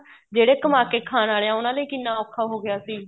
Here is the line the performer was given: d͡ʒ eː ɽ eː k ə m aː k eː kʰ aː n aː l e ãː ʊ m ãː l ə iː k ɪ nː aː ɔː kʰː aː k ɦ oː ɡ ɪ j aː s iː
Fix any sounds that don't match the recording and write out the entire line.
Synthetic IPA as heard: d͡ʒ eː ɽ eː k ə m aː k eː kʰ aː n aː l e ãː ʊ n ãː l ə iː k ɪ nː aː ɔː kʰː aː ɦ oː ɡ ɪ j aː s iː